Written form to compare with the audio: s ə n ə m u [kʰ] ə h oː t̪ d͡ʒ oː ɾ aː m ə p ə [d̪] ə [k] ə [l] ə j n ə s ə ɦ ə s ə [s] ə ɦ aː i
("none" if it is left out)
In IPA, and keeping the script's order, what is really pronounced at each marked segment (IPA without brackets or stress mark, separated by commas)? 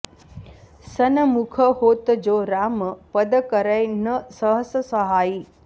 kʰ, d̪, k, ɾ, s